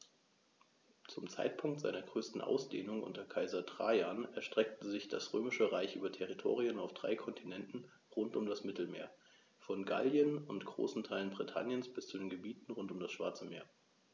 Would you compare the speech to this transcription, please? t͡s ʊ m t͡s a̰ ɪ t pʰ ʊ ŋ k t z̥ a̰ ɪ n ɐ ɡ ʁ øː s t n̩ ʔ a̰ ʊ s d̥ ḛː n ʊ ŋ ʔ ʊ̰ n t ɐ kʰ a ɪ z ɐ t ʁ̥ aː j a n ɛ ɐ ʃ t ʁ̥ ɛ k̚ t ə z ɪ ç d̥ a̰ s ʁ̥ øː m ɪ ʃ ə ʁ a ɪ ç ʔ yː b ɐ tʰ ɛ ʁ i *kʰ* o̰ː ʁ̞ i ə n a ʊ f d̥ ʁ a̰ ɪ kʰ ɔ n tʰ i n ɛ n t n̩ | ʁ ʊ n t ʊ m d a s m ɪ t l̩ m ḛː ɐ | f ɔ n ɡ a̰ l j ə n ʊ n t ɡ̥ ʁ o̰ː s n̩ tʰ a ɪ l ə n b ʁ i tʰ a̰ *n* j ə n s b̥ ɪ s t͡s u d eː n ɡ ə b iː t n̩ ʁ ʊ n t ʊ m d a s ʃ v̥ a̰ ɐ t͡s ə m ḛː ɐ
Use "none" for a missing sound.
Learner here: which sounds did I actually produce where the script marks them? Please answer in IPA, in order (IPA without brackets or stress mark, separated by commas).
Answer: tʰ, n